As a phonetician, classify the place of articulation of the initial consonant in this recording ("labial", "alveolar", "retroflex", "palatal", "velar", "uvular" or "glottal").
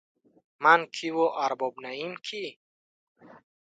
labial